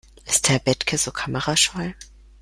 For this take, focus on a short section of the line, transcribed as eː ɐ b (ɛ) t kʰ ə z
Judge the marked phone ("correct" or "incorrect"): correct